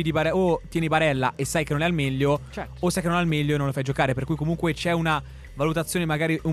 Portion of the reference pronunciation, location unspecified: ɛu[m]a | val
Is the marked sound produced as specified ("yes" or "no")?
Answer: no